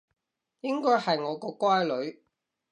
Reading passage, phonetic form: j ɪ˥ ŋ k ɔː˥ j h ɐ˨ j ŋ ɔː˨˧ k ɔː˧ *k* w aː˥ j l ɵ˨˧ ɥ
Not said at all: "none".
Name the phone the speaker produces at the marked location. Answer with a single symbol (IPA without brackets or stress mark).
k